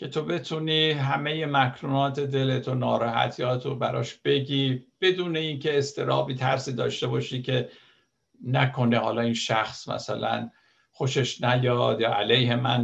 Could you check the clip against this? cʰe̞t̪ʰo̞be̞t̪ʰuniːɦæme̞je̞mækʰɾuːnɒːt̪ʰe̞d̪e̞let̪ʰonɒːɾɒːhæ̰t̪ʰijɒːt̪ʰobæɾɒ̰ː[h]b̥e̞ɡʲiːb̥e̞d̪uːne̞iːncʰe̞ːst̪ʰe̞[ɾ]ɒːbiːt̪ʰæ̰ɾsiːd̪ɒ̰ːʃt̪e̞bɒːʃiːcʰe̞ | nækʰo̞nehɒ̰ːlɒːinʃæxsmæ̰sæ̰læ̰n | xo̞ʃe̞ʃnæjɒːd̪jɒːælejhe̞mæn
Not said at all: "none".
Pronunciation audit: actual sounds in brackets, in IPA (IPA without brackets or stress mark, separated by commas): ʃ, ɾ